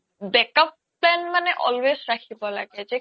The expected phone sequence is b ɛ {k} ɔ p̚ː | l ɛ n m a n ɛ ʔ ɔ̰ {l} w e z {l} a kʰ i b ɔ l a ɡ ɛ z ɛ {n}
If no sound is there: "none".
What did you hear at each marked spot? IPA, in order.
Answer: k, l, ɹ, none

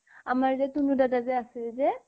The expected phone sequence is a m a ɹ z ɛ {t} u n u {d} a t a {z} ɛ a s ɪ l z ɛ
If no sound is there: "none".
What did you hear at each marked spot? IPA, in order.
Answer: t, d, z

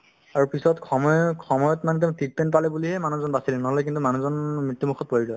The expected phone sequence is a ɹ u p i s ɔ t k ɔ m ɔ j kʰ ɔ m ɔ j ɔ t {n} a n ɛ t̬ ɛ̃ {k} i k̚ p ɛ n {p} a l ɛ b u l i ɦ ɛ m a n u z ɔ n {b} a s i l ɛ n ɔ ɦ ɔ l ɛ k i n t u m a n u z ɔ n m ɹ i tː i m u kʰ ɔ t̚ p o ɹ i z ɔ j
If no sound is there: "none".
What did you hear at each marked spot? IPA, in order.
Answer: m, t, p, b

